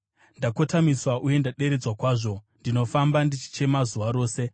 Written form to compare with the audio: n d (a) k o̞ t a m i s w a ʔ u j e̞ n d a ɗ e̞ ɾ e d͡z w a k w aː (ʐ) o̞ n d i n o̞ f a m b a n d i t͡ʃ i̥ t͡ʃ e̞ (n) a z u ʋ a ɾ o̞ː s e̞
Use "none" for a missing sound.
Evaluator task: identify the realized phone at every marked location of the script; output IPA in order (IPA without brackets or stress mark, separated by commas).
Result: a, ʐ, m